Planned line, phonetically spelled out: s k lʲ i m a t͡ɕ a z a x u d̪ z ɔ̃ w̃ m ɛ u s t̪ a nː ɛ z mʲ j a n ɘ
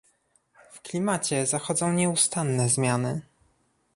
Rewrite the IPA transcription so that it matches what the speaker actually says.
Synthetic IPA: f k lʲ i m a t͡ɕ ɛ z a x ɔ d̪ z ɔ̃ w̃ ɲ ɛ u s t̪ a nː ɛ z mʲ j a n ɘ

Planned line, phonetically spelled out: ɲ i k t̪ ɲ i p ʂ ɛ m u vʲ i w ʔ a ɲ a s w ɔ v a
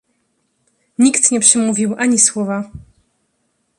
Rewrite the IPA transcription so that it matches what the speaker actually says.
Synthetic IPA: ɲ i k t̪ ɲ ɛ p ʂ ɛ m u vʲ i w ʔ a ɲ i s w ɔ v a

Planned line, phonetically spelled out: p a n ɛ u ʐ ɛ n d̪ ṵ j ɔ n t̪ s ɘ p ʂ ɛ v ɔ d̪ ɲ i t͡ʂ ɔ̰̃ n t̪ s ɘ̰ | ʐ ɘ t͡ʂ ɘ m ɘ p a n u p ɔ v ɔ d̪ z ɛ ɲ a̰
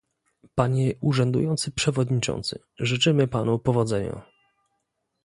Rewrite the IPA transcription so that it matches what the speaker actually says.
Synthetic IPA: p a ɲ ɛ u ʐ ɛ n d̪ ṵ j ɔ n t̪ s ɘ p ʂ ɛ v ɔ d̪ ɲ i t͡ʂ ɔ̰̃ n t̪ s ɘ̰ | ʐ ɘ t͡ʂ ɘ m ɘ p a n u p ɔ v ɔ d̪ z ɛ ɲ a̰

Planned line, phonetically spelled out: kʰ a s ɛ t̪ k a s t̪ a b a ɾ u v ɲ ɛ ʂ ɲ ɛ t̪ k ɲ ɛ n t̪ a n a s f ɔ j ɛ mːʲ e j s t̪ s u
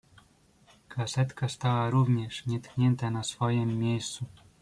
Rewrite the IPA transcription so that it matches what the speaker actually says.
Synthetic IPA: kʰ a s ɛ t̪ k a s t̪ a w a ɾ u v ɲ ɛ ʂ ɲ ɛ t̪ k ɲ ɛ n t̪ a n a s f ɔ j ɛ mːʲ e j s t̪ s u

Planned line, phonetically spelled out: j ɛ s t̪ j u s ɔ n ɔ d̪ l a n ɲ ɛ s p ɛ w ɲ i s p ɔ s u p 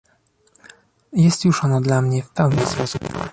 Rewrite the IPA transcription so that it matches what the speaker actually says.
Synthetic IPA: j ɛ s t̪ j u ʂ ɔ n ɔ d̪ l a m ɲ ɛ f p ɛ w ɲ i s p ɔ s u p

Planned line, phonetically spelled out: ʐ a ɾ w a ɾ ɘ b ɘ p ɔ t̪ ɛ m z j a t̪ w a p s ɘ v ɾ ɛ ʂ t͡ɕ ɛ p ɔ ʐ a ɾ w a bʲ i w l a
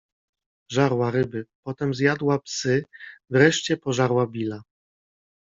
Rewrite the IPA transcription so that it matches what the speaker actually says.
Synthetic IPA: ʐ a ɾ w a ɾ ɘ b ɘ p ɔ t̪ ɛ m z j a d̪ w a p s ɘ v ɾ ɛ ʂ t͡ɕ ɛ p ɔ ʐ a ɾ w a bʲ i l a

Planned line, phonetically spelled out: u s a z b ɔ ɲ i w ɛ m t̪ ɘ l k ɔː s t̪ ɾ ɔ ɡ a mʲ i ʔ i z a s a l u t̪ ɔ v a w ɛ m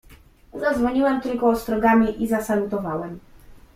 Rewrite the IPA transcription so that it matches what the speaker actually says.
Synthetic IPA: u z a z v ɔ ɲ i w ɛ m t̪ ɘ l k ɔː s t̪ ɾ ɔ ɡ a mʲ i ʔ i z a s a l u t̪ ɔ v a w ɛ m

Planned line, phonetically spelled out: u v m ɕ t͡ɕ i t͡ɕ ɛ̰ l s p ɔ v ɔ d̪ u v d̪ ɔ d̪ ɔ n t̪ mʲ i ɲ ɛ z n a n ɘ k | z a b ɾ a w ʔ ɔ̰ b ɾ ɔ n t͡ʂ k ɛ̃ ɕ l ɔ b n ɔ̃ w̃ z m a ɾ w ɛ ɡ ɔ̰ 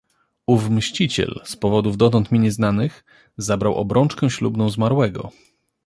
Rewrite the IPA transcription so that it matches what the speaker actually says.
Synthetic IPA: u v m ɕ t͡ɕ i t͡ɕ ɛ̰ l s p ɔ v ɔ d̪ u v d̪ ɔ t̪ ɔ n t̪ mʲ i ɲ ɛ z n a n ɘ x | z a b ɾ a w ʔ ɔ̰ b ɾ ɔ n t͡ʂ k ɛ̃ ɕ l u b n ɔ̃ w̃ z m a ɾ w ɛ ɡ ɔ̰

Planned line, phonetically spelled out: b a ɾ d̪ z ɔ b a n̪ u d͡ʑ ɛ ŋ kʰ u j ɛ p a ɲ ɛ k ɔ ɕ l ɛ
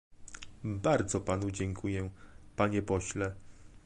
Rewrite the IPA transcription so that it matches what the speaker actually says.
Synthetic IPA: b a ɾ d̪ z ɔ p a n̪ u d͡ʑ ɛ ŋ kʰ u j ɛ p a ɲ ɛ p ɔ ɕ l ɛ

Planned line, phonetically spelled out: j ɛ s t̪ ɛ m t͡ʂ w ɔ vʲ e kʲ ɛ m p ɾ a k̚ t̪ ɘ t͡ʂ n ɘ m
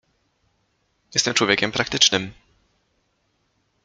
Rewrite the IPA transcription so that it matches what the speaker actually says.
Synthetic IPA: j ɛ s t̪ ɛ m t͡ʂ w ɔ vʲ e kʲ ɛ m p ɾ a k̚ t̪ ɘ t͡ʂ n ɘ m

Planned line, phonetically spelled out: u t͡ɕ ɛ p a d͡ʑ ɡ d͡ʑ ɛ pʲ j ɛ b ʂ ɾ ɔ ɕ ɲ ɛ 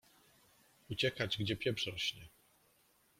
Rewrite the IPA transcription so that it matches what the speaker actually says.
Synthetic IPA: u t͡ɕ ɛ k a d͡ʑ ɡ d͡ʑ ɛ pʲ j ɛ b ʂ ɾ ɔ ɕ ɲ ɛ

